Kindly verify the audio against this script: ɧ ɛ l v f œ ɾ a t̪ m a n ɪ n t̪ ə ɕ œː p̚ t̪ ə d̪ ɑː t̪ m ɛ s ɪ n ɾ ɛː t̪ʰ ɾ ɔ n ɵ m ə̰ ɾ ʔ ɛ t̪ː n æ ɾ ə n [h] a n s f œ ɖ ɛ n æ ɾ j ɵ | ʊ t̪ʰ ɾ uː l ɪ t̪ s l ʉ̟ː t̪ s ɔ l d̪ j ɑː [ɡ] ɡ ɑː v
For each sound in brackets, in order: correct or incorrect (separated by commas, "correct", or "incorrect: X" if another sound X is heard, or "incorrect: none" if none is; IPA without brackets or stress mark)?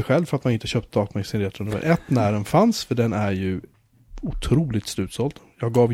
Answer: incorrect: f, correct